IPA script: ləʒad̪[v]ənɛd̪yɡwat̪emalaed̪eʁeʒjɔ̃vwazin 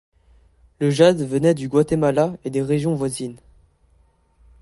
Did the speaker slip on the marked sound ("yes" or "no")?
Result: no